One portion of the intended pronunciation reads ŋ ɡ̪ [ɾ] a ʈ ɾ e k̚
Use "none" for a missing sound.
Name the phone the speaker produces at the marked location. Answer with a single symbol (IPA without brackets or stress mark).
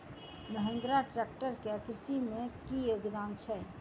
ɾ